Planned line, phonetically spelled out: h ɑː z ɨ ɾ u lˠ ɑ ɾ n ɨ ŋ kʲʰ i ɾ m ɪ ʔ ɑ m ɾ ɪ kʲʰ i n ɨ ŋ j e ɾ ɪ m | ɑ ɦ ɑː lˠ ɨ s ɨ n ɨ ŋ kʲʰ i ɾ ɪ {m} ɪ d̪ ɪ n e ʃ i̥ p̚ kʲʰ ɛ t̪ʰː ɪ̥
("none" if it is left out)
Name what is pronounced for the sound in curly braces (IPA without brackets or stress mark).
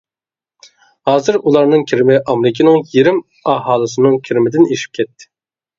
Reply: m